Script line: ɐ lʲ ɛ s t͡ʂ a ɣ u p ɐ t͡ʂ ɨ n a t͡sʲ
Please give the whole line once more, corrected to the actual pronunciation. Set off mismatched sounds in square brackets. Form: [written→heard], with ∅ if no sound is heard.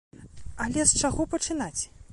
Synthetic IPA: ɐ lʲ ɛ s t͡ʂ a ɣ [u→ɔ] p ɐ t͡ʂ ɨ n a t͡sʲ